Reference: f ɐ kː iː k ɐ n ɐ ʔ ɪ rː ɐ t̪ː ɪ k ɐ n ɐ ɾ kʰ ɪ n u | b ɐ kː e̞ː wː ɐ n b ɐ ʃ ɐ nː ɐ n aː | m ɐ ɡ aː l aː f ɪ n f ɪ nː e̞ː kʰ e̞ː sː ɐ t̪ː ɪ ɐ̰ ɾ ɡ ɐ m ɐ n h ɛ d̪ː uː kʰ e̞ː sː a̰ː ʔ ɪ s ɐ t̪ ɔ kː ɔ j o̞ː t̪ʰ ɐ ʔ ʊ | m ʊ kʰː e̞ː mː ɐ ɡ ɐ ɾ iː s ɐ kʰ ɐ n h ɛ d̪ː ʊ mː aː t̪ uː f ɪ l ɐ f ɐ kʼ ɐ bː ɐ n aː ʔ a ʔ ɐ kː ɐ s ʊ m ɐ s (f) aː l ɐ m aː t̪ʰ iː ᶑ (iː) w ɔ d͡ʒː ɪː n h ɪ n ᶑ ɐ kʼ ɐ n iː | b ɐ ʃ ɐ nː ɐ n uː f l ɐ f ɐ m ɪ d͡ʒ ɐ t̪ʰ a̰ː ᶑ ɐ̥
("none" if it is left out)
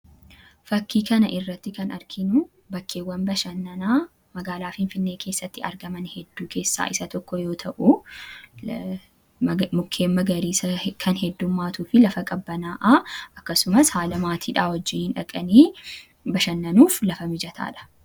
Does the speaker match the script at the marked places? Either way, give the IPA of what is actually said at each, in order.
h, aː

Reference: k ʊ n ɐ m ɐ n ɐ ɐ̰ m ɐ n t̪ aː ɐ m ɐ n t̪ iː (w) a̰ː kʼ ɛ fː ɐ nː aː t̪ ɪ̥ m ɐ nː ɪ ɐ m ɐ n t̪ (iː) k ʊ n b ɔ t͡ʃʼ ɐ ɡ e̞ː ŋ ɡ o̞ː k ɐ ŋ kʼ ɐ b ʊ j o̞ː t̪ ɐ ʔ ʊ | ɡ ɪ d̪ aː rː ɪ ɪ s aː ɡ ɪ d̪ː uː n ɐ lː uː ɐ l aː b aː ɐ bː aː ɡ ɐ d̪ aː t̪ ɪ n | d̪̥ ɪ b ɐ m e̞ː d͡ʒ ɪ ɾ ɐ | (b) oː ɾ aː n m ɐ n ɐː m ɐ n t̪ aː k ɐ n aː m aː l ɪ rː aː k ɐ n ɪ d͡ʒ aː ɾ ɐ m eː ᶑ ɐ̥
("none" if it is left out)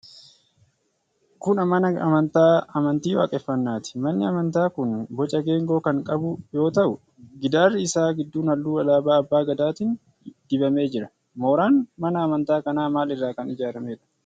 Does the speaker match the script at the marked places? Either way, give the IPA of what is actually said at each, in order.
w, aː, m

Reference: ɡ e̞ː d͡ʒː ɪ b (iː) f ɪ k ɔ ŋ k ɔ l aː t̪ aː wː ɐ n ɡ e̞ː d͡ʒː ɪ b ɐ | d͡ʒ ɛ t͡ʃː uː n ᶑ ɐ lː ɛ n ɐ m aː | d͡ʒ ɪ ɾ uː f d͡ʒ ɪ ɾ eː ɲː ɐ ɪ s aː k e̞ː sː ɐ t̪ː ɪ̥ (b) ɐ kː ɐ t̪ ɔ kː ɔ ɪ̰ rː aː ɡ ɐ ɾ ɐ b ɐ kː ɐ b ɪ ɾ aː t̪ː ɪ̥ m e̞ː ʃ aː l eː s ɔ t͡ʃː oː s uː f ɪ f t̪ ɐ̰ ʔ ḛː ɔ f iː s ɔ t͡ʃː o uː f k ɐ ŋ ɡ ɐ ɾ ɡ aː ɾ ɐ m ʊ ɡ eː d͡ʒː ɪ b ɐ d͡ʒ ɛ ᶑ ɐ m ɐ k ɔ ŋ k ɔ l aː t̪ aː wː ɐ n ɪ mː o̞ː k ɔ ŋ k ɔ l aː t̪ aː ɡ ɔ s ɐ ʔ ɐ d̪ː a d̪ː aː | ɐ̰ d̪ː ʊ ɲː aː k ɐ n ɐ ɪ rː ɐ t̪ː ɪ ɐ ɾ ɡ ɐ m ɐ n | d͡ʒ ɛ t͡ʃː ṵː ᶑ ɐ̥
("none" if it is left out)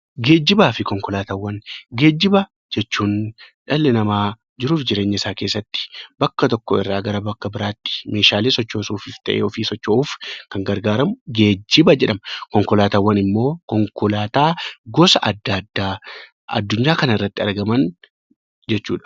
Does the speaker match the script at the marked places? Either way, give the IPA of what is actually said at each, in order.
aː, b

